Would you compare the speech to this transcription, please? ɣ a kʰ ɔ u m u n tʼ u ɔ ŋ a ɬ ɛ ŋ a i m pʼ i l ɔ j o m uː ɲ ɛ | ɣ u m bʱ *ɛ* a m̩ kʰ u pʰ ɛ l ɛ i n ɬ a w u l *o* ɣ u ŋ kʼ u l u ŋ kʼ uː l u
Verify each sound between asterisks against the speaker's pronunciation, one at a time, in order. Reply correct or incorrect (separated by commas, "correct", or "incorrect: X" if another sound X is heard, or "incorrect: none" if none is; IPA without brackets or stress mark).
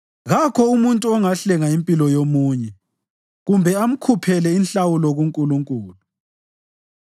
correct, incorrect: ɔ